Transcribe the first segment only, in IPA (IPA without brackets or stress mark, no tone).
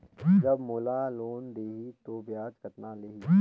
d͡ʒ